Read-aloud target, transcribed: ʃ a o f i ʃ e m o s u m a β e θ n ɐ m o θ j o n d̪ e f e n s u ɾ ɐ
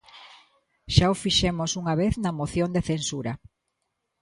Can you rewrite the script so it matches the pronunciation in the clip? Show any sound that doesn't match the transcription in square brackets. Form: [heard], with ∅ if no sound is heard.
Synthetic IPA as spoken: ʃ a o f i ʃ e m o s u [ŋ] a β e θ n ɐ m o θ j o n d̪ e [θ] e n s u ɾ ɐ